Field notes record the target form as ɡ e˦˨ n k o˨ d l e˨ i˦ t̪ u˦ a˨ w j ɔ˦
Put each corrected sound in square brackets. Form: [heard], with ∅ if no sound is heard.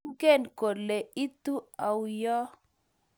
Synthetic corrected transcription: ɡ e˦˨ n k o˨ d l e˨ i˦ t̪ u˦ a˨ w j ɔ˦